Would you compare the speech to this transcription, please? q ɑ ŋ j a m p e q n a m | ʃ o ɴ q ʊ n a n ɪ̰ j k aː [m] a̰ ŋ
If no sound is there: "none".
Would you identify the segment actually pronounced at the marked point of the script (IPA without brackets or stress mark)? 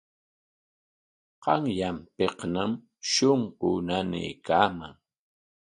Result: m